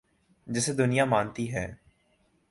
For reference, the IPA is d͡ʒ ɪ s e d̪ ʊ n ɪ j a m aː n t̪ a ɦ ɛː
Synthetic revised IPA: d͡ʒ ɪ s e d̪ ʊ n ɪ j a m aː n t̪ i ɦ ɛː